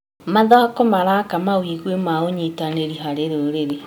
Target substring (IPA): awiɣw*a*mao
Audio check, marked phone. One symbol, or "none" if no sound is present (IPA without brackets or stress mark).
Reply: e